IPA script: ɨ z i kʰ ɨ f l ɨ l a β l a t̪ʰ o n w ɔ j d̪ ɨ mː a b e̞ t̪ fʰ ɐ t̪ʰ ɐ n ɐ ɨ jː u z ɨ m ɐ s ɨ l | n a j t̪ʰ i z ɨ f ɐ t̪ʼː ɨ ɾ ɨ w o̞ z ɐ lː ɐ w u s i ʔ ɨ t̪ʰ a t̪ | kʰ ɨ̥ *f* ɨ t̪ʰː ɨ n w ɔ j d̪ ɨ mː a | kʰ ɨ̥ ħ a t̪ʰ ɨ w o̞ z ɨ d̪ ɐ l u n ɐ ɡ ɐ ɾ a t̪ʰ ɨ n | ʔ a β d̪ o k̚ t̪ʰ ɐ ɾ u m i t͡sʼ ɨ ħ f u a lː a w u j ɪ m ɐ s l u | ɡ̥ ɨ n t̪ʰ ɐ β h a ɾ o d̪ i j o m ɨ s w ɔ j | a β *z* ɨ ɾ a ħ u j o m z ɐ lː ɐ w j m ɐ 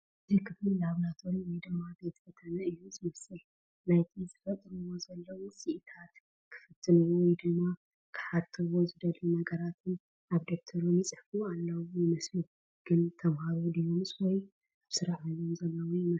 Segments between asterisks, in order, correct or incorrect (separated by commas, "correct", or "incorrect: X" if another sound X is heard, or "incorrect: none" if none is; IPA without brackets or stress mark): correct, incorrect: s